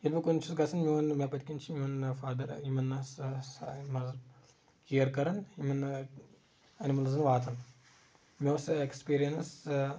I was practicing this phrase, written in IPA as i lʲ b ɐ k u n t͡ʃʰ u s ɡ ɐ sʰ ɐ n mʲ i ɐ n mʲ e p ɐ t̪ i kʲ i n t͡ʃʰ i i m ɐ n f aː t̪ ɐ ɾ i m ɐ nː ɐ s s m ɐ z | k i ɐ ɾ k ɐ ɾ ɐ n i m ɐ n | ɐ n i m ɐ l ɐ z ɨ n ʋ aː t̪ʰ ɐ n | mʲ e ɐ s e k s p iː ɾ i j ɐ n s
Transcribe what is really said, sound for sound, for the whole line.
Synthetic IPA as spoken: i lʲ b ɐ k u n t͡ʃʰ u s ɡ ɐ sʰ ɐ n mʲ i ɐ n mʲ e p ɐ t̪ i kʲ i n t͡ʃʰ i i m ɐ n f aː d̪ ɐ ɾ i m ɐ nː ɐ s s m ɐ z | k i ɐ ɾ k ɐ ɾ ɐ n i m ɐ n | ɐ n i m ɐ l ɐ z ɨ n ʋ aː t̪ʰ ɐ n | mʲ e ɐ s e k s p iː ɾ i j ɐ n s